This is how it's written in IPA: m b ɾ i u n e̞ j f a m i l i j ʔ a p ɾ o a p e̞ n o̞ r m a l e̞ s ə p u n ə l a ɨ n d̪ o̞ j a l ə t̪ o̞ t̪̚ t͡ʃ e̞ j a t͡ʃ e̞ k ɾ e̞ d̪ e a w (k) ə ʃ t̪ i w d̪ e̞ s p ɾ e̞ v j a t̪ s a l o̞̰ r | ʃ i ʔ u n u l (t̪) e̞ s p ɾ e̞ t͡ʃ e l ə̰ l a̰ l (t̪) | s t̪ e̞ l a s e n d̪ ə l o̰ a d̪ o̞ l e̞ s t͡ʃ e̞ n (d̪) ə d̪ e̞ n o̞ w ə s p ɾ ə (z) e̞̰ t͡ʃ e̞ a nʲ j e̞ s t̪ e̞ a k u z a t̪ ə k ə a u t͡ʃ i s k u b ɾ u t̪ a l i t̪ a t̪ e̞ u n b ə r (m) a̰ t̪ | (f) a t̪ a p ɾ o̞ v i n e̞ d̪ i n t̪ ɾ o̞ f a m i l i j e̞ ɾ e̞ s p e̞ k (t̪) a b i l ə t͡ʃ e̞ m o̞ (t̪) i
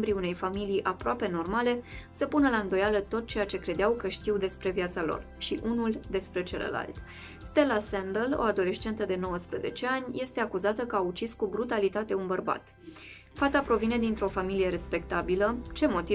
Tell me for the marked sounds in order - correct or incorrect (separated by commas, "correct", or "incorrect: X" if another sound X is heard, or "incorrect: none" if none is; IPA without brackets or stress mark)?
correct, incorrect: d̪, correct, incorrect: t̪, correct, incorrect: b, correct, correct, correct